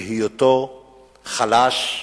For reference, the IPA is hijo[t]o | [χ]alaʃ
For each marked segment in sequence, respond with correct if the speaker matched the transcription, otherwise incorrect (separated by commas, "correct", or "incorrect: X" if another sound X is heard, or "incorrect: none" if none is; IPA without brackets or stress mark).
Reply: correct, correct